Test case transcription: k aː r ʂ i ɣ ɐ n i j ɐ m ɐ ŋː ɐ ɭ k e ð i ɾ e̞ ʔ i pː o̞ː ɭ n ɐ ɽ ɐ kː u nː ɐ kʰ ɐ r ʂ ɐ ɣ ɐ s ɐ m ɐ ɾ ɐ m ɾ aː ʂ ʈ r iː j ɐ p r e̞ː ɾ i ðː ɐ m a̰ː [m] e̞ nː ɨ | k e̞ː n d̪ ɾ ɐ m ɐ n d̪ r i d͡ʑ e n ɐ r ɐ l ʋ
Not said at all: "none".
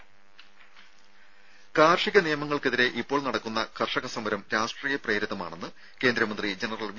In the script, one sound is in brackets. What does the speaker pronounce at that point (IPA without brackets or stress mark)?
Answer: ɳ